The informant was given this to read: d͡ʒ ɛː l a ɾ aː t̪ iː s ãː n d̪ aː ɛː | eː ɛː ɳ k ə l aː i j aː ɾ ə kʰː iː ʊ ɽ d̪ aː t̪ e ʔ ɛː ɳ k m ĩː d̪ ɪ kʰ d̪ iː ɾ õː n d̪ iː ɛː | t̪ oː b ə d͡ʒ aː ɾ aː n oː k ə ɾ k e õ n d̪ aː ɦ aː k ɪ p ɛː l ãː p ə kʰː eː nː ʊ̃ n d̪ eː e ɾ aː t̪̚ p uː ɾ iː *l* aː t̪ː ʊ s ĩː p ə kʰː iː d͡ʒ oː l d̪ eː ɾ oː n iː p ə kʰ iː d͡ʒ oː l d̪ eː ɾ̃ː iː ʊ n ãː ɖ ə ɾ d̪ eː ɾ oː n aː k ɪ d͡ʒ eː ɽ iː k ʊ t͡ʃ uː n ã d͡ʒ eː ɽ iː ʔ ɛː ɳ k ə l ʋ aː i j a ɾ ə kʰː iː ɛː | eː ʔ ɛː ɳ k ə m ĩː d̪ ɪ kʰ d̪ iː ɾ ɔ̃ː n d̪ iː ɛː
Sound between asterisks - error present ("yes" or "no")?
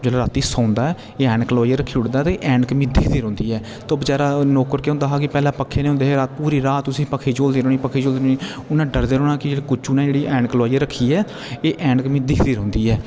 yes